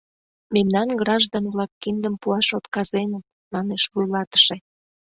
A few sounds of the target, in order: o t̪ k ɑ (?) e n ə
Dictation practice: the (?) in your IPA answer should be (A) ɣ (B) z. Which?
B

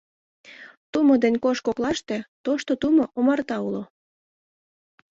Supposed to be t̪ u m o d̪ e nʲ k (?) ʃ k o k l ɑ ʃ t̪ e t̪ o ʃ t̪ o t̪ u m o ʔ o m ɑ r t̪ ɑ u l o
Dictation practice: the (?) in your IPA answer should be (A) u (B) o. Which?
B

